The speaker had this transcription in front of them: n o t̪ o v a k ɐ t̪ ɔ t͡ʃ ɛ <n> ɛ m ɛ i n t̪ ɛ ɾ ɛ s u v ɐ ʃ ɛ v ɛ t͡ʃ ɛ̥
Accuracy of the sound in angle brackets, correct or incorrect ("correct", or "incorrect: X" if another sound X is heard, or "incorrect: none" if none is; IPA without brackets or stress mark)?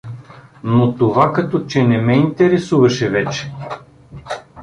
correct